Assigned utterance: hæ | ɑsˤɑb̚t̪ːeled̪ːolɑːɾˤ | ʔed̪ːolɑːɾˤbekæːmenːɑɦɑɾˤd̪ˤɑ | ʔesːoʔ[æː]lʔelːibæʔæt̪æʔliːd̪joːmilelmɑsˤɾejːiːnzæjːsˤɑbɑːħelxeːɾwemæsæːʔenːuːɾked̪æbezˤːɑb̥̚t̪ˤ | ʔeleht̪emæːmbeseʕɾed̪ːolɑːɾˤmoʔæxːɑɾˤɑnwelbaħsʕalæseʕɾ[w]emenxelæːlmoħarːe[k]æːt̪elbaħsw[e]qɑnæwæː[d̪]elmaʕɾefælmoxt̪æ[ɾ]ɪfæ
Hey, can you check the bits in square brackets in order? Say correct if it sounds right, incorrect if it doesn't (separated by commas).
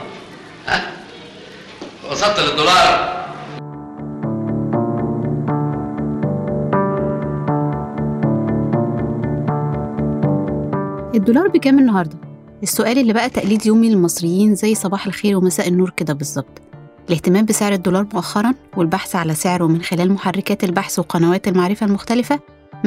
correct, correct, correct, correct, incorrect, incorrect